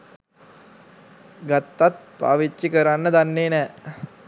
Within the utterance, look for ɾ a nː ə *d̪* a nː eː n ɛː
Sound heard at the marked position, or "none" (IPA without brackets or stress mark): d̪